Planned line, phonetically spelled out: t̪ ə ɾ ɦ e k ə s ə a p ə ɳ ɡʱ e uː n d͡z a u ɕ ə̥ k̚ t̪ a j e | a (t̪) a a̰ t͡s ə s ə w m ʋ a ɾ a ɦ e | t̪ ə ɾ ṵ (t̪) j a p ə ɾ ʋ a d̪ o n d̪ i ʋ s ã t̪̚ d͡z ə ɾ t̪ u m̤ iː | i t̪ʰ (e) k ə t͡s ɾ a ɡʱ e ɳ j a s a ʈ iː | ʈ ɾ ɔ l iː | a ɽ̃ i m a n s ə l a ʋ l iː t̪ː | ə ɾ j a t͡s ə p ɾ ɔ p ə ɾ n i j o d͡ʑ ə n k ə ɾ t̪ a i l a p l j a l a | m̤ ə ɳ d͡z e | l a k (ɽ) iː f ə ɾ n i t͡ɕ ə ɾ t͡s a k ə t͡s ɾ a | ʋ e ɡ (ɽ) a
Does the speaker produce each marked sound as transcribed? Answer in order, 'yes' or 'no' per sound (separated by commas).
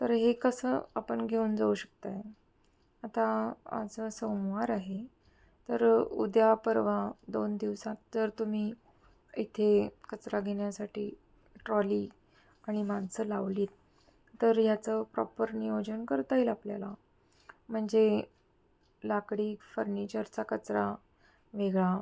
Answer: yes, no, yes, yes, no